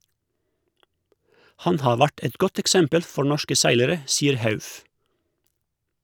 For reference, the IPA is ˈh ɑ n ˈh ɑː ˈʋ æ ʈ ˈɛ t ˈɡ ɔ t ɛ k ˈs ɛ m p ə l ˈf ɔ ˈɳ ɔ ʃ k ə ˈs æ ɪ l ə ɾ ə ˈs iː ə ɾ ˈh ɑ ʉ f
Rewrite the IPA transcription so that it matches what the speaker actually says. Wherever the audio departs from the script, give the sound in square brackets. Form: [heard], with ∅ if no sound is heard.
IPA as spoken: ˈh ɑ n ˈh ɑː ˈʋ æ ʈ ˈɛ t ˈɡ ɔ t ɛ k ˈs ɛ m p ə l ˈf ɔ ˈɳ ɔ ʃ k ə ˈs æ ɪ l ə ɾ ə ˈs iː ə ɾ ˈh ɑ ʉ f